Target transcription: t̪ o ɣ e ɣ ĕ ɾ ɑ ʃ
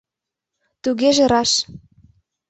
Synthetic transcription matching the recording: t̪ u ɣ e ʒ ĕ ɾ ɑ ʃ

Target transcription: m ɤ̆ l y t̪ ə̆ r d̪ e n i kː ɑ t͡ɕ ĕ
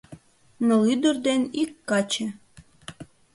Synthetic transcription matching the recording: n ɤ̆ l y d̪ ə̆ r d̪ e n i kː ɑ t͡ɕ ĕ

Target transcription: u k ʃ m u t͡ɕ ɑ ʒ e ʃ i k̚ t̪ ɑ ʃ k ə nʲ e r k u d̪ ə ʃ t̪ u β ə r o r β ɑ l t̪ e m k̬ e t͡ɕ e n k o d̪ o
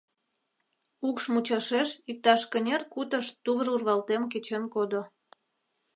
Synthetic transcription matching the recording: u k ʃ m u t͡ɕ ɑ ʃ e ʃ i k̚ t̪ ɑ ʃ k ə nʲ e r k u t̪ ə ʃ t̪ u β ə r u r β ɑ l t̪ e m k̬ e t͡ɕ e n k o d̪ o

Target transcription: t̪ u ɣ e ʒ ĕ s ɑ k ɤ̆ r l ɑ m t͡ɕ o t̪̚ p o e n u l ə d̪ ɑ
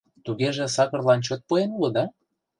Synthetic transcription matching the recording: t̪ u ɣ e ʒ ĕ s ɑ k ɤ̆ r l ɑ n t͡ɕ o t̪̚ p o e n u l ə d̪ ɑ

